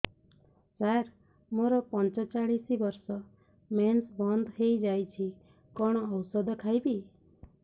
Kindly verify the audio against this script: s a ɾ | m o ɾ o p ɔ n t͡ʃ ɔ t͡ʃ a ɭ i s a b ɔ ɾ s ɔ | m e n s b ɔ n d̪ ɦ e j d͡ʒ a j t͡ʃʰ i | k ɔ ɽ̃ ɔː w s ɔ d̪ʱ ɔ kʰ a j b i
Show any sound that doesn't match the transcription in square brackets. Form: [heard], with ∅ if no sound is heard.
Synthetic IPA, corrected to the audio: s a ɾ | m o ɾ [ɔ] p ɔ n t͡ʃ ɔ t͡ʃ a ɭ i s [i] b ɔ ɾ s ɔ | m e n s b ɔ n d̪ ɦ e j d͡ʒ a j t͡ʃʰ i | k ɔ ɽ̃ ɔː w s ɔ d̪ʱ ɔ kʰ a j b i